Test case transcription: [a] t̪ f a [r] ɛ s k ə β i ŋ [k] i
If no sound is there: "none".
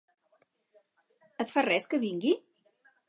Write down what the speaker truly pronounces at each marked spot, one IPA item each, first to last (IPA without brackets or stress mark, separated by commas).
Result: ə, r, ɡ